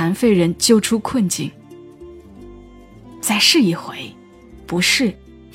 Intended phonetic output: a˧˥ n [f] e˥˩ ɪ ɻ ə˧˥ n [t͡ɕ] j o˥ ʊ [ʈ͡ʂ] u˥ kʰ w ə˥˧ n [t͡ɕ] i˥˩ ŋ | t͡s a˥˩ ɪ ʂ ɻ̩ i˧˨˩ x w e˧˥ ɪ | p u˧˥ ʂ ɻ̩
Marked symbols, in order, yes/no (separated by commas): yes, yes, no, yes